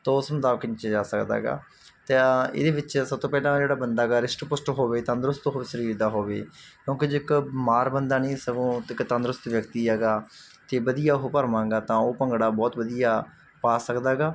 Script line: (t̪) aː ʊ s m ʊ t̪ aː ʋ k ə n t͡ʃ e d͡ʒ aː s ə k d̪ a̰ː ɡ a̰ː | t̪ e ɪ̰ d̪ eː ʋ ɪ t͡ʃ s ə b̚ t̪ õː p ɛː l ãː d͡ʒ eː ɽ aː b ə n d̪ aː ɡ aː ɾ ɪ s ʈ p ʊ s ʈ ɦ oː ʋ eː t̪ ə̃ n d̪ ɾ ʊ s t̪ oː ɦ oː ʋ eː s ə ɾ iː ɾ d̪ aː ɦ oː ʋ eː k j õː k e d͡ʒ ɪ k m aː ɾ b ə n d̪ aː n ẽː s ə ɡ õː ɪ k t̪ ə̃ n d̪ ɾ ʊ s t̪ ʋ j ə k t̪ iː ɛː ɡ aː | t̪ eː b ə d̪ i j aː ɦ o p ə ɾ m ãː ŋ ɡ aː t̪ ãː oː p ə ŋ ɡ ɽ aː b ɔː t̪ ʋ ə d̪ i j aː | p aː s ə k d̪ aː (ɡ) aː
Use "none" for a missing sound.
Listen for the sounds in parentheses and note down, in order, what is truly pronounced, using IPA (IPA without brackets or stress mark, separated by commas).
t̪, ɡ